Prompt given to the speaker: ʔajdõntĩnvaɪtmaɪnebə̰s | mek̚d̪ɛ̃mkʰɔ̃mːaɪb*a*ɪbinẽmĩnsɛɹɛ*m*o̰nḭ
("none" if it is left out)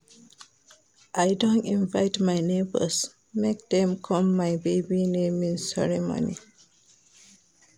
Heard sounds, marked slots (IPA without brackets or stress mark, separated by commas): e, m